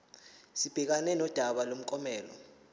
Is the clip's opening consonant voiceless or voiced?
voiceless